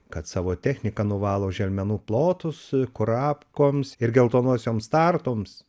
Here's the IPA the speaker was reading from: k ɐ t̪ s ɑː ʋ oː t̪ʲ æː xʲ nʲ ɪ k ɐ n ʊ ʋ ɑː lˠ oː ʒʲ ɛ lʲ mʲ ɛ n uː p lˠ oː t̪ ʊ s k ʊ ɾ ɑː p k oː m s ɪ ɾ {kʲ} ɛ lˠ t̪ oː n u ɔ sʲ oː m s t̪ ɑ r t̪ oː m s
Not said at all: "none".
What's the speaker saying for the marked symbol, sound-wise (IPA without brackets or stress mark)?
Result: ɡʲ